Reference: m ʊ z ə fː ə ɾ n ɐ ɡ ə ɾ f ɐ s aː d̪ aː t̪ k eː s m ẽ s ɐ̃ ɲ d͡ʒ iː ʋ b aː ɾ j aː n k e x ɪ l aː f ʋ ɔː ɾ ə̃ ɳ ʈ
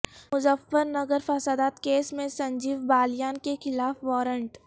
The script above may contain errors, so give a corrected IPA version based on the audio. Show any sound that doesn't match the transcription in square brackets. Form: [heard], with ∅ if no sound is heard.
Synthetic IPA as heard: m ʊ z ə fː ə ɾ n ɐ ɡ ə ɾ f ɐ s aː d̪ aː t̪ k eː s m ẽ s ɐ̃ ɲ d͡ʒ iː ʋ b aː [l] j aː n k e x ɪ l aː f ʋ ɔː ɾ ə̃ ɳ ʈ